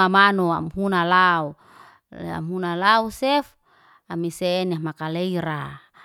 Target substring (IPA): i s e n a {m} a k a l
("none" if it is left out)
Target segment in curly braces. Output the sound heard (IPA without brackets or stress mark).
m